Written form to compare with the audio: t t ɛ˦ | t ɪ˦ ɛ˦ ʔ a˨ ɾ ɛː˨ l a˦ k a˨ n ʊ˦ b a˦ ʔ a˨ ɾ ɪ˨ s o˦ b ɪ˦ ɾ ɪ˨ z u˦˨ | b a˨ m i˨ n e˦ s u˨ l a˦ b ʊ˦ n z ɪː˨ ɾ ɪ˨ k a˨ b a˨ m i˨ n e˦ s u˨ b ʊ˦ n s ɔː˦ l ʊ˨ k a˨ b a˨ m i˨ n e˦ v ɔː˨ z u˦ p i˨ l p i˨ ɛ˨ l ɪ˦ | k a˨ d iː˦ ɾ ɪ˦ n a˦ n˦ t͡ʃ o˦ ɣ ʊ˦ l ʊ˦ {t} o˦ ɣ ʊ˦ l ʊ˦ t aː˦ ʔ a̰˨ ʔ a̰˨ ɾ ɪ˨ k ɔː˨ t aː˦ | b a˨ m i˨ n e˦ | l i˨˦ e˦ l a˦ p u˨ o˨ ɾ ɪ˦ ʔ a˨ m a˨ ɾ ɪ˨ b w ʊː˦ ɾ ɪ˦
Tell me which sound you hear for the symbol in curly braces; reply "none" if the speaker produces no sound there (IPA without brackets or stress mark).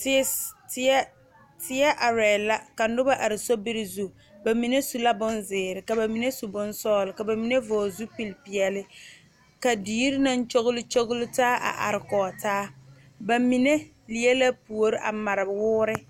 t͡ʃ